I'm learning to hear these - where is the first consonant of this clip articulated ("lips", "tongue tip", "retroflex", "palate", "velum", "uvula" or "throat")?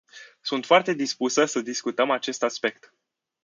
tongue tip